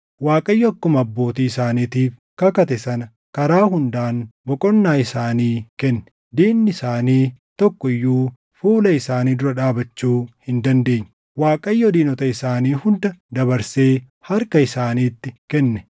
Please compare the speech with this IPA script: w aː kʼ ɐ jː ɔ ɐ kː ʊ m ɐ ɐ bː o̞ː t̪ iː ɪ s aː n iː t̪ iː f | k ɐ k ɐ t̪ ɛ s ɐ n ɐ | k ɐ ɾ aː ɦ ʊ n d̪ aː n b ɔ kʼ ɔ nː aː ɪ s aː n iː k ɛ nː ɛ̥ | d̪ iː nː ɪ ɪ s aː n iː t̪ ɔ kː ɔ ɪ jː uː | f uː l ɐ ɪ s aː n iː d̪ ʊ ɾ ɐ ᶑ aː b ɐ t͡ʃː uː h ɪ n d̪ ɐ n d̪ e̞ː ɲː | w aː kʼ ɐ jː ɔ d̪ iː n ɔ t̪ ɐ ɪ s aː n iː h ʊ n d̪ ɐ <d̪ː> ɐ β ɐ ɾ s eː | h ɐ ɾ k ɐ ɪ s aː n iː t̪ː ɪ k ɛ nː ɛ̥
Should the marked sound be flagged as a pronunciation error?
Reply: yes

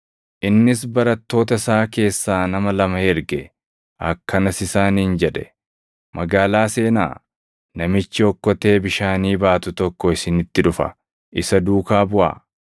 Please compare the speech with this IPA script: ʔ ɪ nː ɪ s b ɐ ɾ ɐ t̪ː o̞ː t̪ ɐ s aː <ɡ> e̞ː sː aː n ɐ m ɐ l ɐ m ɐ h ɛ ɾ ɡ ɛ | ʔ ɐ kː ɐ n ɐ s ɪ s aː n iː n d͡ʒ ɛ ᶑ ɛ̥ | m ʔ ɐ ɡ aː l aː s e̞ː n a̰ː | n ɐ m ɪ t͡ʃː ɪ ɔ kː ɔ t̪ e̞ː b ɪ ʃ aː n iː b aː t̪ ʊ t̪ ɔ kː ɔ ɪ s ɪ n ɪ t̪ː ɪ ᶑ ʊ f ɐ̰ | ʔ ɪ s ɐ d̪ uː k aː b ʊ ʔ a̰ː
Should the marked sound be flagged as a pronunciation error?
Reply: yes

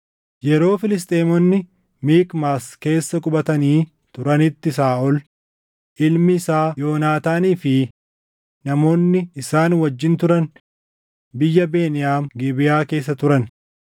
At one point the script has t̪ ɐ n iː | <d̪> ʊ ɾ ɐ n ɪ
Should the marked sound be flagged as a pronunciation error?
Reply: yes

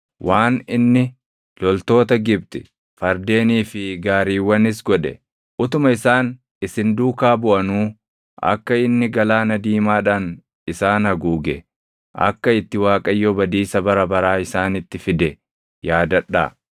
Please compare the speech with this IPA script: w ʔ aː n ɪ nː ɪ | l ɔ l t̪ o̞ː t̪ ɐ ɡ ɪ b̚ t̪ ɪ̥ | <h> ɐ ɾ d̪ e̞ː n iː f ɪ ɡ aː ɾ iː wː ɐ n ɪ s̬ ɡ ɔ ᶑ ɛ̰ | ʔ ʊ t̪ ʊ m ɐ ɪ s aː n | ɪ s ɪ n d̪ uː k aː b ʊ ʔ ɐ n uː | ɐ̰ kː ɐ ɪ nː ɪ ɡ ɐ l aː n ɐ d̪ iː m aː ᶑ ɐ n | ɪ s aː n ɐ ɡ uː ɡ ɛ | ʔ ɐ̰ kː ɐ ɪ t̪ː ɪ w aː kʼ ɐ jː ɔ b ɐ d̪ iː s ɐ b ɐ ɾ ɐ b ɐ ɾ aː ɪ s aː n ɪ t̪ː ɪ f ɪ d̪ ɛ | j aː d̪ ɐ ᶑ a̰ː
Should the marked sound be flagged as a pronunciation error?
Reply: yes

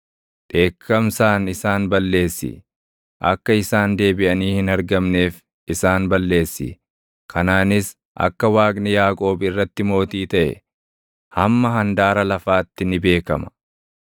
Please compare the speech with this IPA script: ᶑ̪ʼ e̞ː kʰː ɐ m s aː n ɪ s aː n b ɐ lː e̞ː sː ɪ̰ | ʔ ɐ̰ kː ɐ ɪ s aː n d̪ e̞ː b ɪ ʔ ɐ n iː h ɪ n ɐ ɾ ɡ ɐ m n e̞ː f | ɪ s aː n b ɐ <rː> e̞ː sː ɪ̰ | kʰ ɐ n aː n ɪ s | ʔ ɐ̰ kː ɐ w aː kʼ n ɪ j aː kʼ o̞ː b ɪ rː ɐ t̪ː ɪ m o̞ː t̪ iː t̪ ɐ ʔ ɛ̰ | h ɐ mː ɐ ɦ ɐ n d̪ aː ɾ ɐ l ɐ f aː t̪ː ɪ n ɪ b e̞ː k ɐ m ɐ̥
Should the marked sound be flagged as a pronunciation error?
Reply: yes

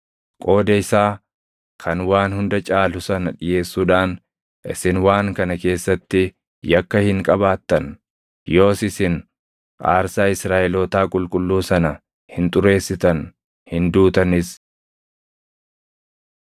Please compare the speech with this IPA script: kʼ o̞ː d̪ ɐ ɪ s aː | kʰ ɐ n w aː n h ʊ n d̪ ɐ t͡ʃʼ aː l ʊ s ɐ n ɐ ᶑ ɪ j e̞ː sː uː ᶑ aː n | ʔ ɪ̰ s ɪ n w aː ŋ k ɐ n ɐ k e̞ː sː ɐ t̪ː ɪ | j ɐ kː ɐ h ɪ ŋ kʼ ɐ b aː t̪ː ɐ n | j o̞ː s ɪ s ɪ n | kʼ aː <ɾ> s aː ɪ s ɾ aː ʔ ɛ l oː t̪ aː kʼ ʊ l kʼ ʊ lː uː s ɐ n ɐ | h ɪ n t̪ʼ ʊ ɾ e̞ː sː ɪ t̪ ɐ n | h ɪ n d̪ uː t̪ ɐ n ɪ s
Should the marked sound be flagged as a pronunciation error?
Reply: no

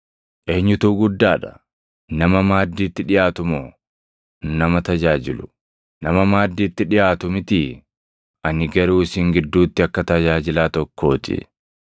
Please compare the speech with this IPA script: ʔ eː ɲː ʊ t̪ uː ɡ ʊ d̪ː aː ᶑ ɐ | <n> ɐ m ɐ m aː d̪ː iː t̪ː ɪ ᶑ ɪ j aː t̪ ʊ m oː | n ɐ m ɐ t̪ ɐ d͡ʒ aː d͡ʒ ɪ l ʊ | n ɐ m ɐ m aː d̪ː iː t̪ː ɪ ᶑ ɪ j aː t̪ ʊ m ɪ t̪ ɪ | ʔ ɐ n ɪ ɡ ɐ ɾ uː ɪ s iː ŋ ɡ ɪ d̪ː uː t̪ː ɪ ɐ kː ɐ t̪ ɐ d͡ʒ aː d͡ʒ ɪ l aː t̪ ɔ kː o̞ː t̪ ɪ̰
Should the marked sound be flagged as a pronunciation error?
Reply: no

